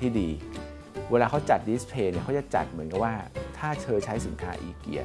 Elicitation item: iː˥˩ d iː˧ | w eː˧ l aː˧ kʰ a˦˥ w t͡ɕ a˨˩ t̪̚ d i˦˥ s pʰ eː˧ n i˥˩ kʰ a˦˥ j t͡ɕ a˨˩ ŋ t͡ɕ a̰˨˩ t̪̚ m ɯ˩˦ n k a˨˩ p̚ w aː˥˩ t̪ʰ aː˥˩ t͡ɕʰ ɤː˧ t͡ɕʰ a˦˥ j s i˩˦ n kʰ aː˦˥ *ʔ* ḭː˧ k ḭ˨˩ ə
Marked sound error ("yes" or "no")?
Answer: no